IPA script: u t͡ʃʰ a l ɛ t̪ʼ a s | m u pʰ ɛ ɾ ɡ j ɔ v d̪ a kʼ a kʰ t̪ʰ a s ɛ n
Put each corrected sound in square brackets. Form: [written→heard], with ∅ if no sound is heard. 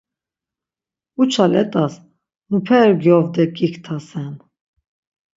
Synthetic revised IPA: u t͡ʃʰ a l ɛ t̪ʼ a s | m u pʰ ɛ ɾ ɡ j ɔ v d̪ [a→ɛ] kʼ [a→i] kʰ t̪ʰ a s ɛ n

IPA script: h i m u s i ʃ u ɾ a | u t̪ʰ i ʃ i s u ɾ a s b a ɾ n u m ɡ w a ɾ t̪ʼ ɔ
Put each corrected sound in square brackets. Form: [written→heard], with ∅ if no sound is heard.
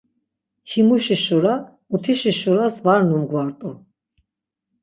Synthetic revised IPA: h i m u [s→ʃ] i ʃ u ɾ a | u t̪ʰ i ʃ i [s→ʃ] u ɾ a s [b→v] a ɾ n u m ɡ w a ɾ t̪ʼ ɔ

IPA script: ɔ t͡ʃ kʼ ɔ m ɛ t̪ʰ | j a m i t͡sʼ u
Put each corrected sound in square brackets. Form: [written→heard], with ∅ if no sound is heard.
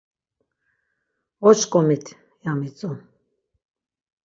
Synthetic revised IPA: ɔ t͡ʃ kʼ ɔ m [ɛ→i] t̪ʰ | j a m i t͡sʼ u

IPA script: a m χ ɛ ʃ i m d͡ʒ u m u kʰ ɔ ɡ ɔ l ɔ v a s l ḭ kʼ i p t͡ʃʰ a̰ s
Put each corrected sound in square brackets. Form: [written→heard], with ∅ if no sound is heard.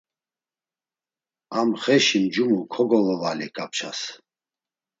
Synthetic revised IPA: a m χ ɛ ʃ i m d͡ʒ u m u kʰ ɔ ɡ ɔ l ɔ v a [s→∅] l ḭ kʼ [i→a] p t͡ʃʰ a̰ s

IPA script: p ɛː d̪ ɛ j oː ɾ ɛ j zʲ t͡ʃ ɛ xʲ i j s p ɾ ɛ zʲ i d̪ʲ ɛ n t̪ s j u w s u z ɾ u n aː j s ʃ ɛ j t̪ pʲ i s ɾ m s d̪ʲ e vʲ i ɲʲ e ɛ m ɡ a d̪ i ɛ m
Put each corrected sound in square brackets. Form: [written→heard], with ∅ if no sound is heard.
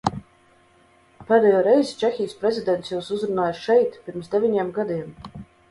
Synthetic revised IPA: p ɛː d̪ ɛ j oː ɾ ɛ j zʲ t͡ʃ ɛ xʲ i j s p ɾ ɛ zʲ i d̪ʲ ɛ n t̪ s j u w s u z ɾ u n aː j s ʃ ɛ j t̪ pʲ i [s→∅] ɾ m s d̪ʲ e vʲ i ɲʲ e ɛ m ɡ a d̪ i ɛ m

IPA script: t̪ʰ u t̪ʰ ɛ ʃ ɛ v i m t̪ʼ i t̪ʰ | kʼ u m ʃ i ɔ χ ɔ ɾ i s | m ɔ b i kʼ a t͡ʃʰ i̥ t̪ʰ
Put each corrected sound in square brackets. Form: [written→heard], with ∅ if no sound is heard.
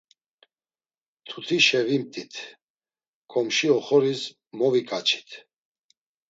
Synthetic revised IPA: t̪ʰ u t̪ʰ [ɛ→i] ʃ ɛ v i m t̪ʼ i t̪ʰ | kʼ [u→ɔ] m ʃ i ɔ χ ɔ ɾ i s | m ɔ [b→v] i kʼ a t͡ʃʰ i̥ t̪ʰ

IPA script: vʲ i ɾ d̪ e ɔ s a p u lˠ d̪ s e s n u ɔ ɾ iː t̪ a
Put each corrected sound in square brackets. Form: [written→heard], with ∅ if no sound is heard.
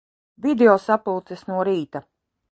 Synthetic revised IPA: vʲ i [ɾ→∅] d̪ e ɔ s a p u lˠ [d̪→t̪] s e s n u ɔ ɾ iː t̪ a

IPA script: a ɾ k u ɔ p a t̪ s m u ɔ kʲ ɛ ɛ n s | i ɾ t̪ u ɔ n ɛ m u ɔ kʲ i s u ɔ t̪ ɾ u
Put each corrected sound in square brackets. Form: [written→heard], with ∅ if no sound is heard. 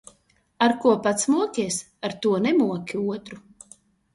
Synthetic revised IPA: a ɾ k u ɔ p a t̪ s m u ɔ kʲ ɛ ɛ [n→∅] s | [i→a] ɾ t̪ u ɔ n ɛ m u ɔ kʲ i [s→∅] u ɔ t̪ ɾ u

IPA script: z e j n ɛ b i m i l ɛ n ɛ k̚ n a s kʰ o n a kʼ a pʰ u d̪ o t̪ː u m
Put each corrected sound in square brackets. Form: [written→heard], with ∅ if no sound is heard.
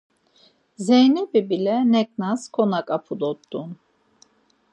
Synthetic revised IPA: z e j n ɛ b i [m→b] i l ɛ n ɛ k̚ n a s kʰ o n a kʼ a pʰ u d̪ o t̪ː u [m→n]

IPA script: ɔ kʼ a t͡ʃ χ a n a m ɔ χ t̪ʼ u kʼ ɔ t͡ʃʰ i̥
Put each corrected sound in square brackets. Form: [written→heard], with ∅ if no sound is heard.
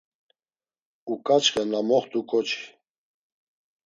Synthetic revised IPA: [ɔ→u] kʼ a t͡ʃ χ [a→ɛ] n a m ɔ χ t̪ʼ u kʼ ɔ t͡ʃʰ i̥

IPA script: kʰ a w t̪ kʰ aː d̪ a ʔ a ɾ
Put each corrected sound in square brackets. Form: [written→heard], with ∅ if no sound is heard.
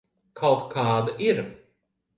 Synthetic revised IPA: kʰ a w t̪ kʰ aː d̪ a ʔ [a→i] ɾ

